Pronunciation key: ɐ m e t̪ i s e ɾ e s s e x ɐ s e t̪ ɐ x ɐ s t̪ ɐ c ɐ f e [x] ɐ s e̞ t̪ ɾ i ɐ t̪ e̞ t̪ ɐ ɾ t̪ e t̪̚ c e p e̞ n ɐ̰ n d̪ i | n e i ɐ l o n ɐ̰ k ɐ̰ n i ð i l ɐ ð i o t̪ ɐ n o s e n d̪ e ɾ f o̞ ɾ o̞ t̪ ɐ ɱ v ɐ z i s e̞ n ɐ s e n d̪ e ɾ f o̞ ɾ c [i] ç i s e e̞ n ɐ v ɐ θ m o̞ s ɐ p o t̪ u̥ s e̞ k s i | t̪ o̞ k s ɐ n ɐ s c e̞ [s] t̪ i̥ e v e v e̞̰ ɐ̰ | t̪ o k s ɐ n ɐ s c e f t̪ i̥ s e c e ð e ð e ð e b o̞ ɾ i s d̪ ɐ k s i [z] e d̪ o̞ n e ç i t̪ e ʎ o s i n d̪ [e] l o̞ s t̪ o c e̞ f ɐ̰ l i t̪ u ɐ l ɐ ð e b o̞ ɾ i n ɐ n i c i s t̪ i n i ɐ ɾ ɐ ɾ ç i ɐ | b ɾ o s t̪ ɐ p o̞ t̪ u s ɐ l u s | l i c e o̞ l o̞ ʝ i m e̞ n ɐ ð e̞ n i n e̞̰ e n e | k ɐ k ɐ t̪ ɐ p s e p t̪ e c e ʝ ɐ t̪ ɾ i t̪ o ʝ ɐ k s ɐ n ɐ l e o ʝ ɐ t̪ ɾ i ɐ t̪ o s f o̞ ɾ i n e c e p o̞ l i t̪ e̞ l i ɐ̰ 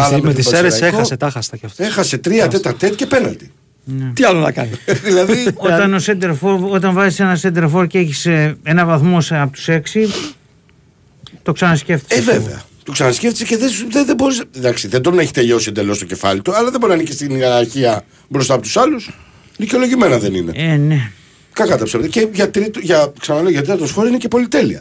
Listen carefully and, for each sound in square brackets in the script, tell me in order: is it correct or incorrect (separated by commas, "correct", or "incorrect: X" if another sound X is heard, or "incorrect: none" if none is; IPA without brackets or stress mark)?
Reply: correct, incorrect: e, incorrect: f, incorrect: ð, correct